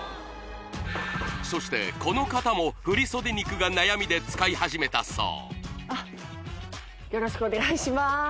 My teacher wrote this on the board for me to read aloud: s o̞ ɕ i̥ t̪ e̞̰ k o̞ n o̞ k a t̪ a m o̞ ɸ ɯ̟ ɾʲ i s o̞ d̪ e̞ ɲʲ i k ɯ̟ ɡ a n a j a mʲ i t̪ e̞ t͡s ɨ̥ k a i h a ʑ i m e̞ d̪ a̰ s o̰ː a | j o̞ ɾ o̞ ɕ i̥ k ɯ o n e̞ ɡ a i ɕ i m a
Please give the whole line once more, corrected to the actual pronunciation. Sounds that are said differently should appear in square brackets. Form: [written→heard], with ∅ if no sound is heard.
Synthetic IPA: s o̞ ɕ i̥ t̪ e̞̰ k o̞ n o̞ k a t̪ a m o̞ ɸ ɯ̟ ɾʲ i s o̞ d̪ e̞ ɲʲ i k ɯ̟ ɡ a n a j a mʲ i [t̪→d̪] e̞ t͡s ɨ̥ k a i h a ʑ i m e̞ [d̪→t̪] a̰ s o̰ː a | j o̞ ɾ o̞ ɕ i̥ k ɯ o n e̞ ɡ a i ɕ i m a